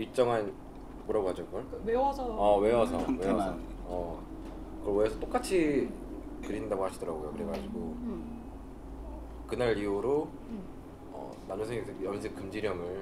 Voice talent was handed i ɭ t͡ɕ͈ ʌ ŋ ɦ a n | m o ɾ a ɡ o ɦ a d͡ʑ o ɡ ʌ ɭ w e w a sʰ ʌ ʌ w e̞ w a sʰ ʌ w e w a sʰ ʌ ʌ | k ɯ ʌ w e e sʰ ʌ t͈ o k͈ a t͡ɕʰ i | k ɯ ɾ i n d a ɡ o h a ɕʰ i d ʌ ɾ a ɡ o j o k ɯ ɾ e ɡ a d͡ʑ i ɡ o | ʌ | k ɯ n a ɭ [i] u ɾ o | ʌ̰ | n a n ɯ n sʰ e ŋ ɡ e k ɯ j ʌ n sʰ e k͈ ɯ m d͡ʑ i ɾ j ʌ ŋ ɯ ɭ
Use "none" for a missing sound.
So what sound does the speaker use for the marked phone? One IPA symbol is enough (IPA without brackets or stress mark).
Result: i